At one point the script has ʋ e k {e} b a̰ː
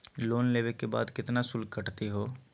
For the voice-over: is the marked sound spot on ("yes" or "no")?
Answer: yes